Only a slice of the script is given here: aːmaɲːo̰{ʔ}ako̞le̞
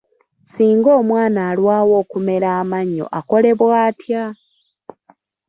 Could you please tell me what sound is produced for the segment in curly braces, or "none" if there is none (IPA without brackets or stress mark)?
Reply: ʔ